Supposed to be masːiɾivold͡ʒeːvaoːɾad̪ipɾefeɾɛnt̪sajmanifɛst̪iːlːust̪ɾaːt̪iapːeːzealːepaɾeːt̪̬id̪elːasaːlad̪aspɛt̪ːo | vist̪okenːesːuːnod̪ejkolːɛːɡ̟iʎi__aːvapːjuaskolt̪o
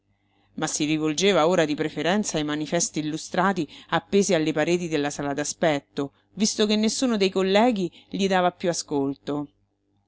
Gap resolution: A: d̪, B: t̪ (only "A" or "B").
A